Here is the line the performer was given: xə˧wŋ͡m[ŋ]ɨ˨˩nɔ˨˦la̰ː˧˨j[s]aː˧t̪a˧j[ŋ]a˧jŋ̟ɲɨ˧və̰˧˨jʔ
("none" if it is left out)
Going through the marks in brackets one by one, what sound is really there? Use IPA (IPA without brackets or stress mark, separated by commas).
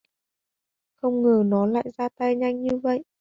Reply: ŋ, z, ɲ